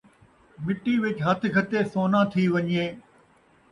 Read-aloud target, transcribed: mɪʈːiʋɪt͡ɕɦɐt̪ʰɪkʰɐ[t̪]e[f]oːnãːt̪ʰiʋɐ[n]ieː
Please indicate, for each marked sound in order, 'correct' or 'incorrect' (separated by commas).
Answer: correct, incorrect, incorrect